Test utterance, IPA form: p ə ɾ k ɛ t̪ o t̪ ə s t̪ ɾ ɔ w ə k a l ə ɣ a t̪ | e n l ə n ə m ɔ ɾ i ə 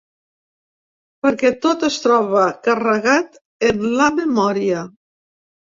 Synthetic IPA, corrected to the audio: p ə ɾ k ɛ t̪ o t̪ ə s t̪ ɾ ɔ β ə k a r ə ɣ a t̪ | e n l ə m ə m ɔ ɾ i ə